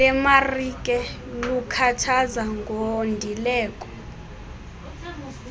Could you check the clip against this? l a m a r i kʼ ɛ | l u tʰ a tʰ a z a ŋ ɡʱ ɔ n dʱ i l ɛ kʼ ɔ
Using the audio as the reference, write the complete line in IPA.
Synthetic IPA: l ɛ m a r i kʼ ɛ | l u kʰ a tʰ a z a ŋ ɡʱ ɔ n dʱ i l ɛː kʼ ɔ